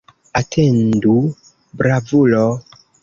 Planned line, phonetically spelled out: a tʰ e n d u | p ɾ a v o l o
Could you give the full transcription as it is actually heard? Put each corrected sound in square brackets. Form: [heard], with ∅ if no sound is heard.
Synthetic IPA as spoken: a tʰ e n d u | [b] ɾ a v [u] l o